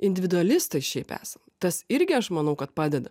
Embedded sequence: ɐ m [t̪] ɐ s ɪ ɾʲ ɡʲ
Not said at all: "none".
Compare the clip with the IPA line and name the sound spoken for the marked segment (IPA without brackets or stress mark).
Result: t̪